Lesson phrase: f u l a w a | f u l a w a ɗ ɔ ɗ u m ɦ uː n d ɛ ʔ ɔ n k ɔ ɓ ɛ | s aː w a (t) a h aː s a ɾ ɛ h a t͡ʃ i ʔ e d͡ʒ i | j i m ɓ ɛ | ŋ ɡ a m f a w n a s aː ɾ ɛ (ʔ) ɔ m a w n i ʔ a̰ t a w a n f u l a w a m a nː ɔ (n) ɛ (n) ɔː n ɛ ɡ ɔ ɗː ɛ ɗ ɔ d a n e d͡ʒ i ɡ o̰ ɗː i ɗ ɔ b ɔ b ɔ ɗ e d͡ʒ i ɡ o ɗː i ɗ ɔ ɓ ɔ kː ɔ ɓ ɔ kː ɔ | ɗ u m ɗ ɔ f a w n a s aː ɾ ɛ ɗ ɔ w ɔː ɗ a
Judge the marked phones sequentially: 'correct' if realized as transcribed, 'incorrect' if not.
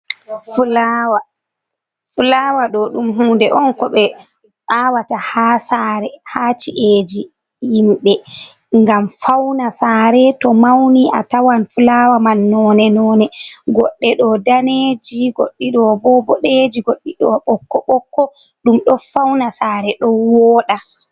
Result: correct, incorrect, correct, correct

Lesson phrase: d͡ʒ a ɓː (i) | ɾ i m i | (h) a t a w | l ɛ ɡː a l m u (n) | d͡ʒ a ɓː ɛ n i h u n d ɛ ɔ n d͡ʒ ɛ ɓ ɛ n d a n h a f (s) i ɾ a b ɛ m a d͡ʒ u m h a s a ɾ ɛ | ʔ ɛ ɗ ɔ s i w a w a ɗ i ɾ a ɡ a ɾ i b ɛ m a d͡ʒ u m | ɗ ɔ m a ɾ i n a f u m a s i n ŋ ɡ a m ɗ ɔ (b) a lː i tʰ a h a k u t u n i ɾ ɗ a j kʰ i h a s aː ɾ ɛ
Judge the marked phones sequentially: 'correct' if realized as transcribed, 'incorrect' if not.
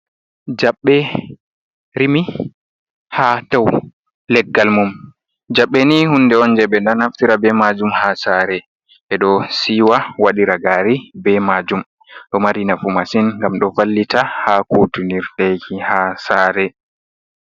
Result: incorrect, correct, incorrect, incorrect, incorrect

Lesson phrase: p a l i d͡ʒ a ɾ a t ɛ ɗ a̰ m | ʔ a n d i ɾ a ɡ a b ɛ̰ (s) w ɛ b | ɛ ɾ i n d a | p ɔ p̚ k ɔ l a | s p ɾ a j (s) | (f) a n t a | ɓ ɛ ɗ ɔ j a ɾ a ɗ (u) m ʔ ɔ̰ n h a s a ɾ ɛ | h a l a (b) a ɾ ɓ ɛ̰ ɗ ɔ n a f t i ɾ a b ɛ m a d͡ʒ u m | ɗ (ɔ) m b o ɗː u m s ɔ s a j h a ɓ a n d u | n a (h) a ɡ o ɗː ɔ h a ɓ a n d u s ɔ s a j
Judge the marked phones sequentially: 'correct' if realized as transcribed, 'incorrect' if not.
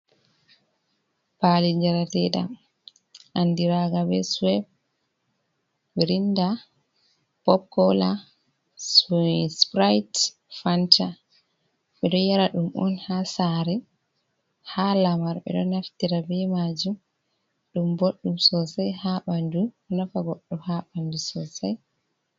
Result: correct, incorrect, correct, correct, incorrect, incorrect, incorrect

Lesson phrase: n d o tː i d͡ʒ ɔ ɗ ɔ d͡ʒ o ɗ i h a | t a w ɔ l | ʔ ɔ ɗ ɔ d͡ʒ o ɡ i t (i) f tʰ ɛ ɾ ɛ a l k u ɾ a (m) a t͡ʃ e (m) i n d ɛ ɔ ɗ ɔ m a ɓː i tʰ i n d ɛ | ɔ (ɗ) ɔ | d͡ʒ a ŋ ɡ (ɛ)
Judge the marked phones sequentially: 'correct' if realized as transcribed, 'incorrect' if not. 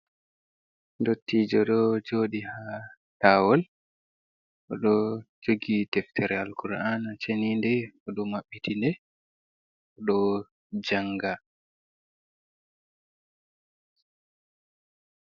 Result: incorrect, incorrect, incorrect, correct, incorrect

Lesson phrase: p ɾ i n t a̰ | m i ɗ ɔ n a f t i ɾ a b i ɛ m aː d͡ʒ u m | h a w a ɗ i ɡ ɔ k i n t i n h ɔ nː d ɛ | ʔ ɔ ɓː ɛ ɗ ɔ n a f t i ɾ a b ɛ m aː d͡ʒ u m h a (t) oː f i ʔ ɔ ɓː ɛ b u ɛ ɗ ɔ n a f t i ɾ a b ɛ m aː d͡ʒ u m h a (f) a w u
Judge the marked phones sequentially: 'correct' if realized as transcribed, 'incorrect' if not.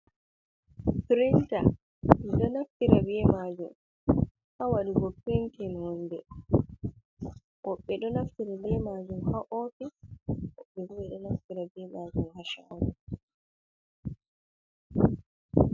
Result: incorrect, incorrect

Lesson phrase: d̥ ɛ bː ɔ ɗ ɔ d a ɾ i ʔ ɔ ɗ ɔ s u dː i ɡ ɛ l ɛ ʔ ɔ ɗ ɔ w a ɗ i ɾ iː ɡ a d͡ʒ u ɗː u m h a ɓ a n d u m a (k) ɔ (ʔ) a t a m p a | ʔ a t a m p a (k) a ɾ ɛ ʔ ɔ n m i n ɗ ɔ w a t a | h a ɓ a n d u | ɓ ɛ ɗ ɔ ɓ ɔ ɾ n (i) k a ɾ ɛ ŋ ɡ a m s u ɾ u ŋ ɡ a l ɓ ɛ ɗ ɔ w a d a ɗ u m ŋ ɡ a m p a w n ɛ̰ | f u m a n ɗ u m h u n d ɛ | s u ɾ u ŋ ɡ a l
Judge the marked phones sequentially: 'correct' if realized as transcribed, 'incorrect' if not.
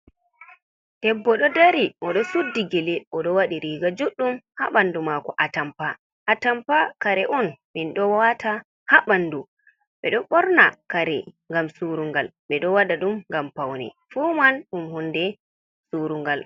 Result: correct, correct, correct, incorrect

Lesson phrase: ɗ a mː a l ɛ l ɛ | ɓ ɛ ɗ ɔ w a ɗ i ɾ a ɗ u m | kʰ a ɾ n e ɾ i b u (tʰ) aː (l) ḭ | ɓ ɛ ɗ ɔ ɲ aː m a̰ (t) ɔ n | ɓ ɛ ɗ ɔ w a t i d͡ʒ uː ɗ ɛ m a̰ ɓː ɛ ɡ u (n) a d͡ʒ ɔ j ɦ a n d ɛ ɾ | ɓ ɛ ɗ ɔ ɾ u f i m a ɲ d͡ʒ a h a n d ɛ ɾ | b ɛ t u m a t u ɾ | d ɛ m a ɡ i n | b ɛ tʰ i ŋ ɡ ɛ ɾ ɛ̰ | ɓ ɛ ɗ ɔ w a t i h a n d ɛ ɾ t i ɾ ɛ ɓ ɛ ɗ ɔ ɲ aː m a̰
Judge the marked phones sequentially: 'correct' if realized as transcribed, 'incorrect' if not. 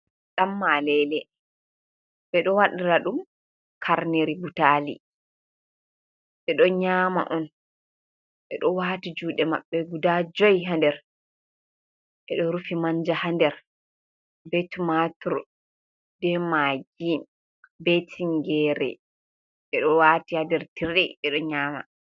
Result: incorrect, correct, incorrect, incorrect

